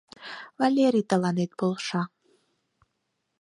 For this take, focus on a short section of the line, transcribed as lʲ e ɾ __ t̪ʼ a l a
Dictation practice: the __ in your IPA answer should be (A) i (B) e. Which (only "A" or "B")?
A